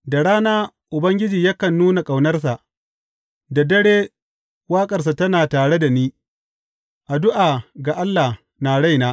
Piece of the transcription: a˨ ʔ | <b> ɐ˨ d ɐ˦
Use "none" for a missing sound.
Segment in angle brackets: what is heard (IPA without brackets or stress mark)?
d